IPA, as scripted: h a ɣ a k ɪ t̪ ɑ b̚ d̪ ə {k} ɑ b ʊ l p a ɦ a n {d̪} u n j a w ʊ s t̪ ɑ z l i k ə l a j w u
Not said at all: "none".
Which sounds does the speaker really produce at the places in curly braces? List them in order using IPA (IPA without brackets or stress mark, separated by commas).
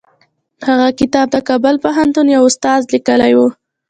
k, t̪